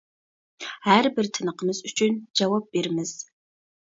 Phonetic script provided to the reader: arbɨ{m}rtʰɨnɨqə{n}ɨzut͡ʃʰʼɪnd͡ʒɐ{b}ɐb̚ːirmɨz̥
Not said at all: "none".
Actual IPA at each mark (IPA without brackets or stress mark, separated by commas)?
none, m, w